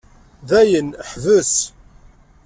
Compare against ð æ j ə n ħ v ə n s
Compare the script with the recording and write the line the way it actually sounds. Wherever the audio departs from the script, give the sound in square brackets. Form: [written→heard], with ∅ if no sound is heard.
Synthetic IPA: ð æ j ə n ħ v ə [n→∅] s